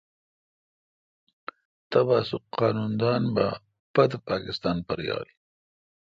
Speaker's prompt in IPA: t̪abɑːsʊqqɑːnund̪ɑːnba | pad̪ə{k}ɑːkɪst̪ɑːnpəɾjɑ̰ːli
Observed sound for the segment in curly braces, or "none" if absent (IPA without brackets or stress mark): p